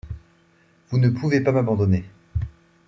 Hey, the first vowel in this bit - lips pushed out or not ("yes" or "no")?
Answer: yes